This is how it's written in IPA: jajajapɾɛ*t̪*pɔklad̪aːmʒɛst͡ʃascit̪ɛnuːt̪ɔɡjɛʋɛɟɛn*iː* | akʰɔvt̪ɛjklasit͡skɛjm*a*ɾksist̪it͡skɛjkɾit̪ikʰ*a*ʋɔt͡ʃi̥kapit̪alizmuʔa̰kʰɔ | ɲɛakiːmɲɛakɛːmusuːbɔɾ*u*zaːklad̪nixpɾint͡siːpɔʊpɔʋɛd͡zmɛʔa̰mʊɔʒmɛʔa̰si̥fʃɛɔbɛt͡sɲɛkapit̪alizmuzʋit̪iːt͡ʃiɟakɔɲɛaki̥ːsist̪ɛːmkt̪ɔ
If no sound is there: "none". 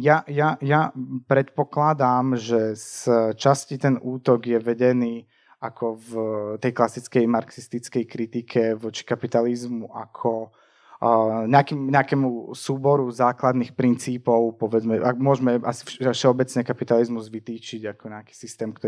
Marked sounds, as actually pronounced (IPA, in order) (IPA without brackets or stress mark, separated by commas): t̪, iː, a, ɛ, u